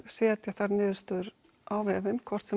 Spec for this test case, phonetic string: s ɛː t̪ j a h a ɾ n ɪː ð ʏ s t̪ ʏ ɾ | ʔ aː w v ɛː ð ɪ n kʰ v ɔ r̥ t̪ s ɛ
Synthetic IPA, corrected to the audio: s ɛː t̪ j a θ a ɾ n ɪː ð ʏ s t̪ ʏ ɾ | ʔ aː w v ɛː v ɪ n kʰ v ɔ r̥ t̪ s ɛ